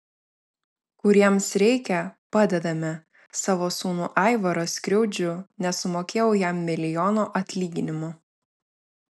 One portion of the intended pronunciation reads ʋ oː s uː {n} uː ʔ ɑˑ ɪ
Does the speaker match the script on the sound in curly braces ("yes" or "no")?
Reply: yes